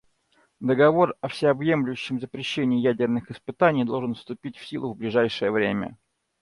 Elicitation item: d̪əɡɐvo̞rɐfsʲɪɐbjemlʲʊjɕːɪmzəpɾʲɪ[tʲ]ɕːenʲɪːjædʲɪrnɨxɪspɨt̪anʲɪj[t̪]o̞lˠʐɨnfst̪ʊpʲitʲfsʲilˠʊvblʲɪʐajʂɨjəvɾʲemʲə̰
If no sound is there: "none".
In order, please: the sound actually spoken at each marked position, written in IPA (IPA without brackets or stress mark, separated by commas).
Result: none, d̪